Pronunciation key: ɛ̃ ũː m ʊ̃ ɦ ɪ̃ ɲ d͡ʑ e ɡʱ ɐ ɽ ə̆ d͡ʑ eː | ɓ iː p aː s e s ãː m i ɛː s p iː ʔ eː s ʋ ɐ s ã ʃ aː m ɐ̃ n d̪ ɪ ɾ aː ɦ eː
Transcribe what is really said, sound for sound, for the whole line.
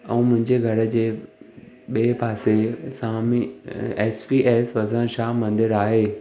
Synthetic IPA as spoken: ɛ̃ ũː m ʊ̃ ɦ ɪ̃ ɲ d͡ʑ e ɡʱ ɐ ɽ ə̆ d͡ʑ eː | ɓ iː p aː s e s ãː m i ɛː s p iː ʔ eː s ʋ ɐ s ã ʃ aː m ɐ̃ n d̪ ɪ ɾ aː ɦ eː